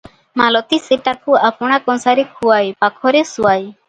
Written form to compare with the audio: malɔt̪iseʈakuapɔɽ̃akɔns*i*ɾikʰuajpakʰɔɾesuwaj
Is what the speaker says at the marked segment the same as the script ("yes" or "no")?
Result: no